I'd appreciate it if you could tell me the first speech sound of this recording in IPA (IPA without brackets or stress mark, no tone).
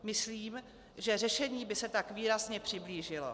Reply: m